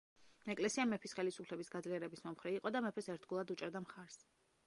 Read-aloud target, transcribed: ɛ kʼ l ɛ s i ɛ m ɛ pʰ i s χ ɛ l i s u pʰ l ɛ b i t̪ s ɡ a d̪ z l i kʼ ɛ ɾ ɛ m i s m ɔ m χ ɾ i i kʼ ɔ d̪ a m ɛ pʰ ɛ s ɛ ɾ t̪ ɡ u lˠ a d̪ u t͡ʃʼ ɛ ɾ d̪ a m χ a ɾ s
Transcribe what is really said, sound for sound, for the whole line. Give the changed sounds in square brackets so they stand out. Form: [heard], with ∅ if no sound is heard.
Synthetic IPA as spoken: ɛ kʼ l ɛ s i [a] m ɛ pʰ i s χ ɛ l i s u pʰ l ɛ b i [∅] s ɡ a d̪ z l i [∅] ɛ ɾ ɛ [b] i s m ɔ m χ ɾ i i [qʼ] ɔ d̪ a m ɛ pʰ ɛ s ɛ ɾ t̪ ɡ u lˠ a d̪ u t͡ʃʼ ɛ ɾ d̪ a m χ a ɾ s